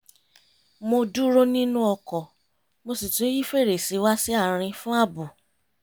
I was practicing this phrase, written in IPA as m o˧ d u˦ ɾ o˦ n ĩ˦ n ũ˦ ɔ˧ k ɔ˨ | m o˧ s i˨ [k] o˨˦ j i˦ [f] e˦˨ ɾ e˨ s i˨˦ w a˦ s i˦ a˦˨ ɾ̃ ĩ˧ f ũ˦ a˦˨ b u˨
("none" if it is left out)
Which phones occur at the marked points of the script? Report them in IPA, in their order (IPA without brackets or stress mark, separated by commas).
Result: t, f